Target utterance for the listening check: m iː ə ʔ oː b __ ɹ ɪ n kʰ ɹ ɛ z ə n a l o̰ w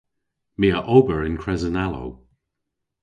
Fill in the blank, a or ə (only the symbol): ə